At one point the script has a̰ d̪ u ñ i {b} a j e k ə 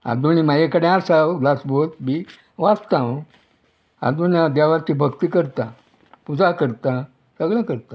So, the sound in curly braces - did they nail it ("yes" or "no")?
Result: no